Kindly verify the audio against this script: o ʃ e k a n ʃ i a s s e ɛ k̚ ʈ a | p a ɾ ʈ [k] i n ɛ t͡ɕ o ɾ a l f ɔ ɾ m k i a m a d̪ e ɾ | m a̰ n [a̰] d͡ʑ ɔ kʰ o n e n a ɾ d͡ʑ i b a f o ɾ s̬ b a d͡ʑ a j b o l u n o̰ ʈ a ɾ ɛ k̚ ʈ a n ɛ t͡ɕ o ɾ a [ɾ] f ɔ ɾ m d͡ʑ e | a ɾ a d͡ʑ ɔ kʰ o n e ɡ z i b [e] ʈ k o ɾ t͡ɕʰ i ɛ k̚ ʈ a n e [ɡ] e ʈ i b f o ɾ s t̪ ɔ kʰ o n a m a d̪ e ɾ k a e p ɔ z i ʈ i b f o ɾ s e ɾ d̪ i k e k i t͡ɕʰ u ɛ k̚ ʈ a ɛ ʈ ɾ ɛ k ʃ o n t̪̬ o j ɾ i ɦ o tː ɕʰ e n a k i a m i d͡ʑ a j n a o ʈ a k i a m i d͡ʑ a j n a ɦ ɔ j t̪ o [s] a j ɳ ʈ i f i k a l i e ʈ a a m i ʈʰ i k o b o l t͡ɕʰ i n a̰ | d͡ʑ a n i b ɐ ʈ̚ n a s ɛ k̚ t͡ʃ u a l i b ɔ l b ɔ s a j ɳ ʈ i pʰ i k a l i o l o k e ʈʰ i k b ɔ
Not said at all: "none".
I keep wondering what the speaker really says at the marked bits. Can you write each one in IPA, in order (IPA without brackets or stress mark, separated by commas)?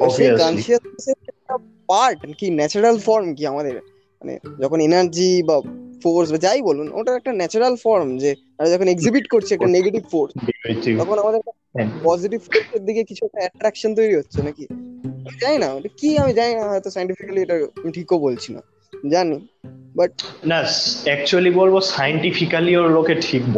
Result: k, ḛ, l, i, ɡ, s